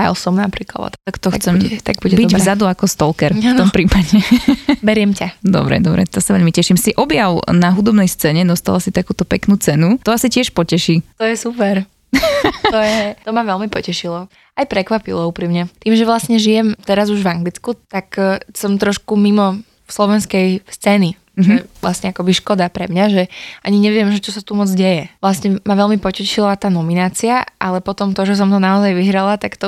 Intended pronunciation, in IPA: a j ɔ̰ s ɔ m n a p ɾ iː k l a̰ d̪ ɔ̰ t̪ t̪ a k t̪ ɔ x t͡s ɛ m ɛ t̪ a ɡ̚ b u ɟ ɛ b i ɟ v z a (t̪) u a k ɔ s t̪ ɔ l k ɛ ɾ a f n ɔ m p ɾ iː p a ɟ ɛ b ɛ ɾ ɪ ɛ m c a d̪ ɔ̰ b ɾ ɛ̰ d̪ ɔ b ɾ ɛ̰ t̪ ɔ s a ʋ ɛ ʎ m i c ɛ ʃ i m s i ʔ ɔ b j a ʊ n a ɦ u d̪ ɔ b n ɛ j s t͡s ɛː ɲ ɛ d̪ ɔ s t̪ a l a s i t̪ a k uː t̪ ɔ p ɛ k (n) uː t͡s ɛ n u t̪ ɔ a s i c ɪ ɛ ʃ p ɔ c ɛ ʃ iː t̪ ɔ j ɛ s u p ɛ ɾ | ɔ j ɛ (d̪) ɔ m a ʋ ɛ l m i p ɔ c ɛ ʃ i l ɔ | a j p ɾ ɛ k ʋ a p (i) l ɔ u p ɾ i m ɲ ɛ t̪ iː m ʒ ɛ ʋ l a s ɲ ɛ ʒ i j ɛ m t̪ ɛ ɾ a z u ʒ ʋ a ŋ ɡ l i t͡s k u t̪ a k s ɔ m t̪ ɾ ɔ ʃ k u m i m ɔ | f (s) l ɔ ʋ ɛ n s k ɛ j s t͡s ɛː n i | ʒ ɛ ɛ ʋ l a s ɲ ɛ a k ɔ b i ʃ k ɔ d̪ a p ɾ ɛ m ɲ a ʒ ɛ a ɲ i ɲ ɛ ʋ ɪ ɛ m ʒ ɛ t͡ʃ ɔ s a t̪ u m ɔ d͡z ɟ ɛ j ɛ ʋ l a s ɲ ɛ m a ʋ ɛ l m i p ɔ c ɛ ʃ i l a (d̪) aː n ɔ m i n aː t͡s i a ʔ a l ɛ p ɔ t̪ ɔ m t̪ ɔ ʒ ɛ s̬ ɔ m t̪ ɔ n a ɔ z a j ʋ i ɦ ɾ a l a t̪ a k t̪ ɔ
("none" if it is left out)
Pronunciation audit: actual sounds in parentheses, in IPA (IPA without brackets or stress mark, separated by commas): d̪, n, t̪, i, s, t̪